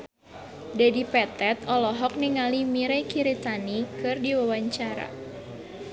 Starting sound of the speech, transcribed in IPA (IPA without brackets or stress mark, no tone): d